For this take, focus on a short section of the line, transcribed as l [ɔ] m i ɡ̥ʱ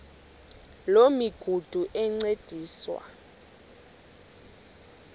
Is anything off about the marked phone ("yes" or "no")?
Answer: yes